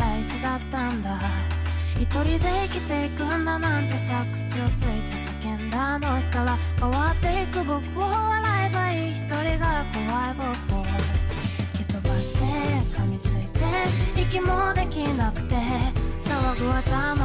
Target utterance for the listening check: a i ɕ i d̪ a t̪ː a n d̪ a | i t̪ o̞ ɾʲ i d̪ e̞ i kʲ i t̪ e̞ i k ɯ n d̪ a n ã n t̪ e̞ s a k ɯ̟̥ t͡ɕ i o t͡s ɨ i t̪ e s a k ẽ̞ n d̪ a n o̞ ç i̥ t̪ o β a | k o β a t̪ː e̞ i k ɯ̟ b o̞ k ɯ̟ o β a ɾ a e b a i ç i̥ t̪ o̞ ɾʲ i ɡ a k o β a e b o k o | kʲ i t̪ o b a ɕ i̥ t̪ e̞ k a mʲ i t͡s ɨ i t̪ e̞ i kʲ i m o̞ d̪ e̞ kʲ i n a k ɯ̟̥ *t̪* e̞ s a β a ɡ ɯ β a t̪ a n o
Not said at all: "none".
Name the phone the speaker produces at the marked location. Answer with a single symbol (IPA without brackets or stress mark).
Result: t̪